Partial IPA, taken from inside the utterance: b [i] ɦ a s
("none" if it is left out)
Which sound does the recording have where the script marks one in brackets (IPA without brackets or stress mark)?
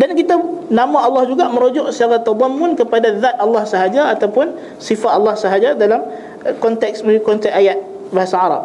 a